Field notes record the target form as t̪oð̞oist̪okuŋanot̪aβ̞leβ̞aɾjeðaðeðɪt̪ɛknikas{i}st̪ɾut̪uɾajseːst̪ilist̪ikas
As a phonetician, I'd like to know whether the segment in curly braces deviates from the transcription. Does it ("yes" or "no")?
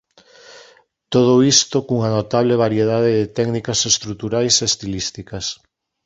yes